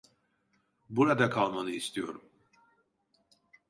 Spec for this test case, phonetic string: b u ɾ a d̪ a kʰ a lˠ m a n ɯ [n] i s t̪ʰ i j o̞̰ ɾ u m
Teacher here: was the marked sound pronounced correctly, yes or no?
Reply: no